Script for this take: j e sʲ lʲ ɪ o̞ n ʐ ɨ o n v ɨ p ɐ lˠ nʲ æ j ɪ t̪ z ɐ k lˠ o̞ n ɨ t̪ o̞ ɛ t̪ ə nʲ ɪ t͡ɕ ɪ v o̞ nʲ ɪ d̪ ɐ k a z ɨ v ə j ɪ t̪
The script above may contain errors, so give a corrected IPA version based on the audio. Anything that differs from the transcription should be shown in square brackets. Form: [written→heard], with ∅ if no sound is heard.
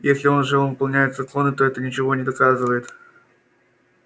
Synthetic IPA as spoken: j e sʲ lʲ ɪ o̞ n ʐ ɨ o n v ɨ p ɐ lˠ nʲ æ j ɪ t̪ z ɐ k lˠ o̞ n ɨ t̪ o̞ ɛ t̪ ə nʲ ɪ t͡ɕ ɪ v o̞ nʲ ɪ d̪ ɐ k a z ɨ v ə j ɪ t̪